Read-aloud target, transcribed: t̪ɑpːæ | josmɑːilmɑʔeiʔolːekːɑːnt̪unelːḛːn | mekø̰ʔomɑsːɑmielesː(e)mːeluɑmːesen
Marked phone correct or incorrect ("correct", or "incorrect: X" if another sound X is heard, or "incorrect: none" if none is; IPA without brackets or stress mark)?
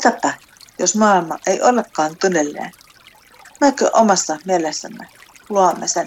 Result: incorrect: æ